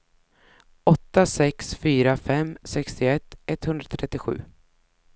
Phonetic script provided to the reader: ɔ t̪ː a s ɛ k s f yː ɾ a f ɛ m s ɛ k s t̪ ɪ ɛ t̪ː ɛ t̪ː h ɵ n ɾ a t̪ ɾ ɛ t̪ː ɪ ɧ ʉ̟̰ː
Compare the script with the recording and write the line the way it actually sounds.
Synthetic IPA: ɔ t̪ː a s ɛ k s f yː ɾ a f ɛ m s ɛ k s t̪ ɪ ɛ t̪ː ɛ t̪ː h ɵ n ɾ a t̪ʰ ɾ ɛ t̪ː ɪ ɧ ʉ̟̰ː